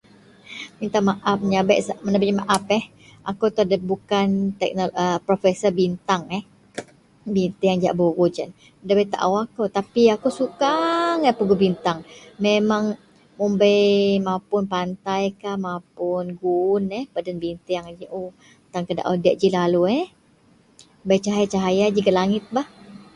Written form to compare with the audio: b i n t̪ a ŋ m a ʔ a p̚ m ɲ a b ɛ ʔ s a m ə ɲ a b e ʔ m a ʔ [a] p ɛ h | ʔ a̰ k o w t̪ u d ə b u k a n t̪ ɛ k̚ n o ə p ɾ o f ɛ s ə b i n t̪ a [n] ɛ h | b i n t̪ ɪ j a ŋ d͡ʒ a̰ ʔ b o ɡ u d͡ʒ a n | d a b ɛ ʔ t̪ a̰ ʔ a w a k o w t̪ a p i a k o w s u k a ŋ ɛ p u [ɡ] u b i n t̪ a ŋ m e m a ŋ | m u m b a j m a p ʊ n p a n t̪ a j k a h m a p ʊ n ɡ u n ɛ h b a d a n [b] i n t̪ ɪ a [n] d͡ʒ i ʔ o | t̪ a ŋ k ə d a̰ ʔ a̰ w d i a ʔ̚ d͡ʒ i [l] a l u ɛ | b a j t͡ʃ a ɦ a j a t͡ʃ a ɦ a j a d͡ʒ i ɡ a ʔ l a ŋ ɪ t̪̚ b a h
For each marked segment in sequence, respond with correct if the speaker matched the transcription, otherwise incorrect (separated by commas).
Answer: correct, incorrect, correct, correct, incorrect, correct